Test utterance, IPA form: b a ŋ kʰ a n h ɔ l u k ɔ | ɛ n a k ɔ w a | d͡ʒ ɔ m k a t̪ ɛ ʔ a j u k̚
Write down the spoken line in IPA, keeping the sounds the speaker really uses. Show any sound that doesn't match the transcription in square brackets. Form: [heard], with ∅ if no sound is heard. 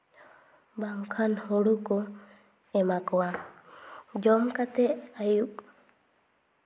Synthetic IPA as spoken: b a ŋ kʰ a n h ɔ [ɽ] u k ɔ | ɛ [m] a k ɔ w a | d͡ʒ ɔ m k a t̪ ɛ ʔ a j u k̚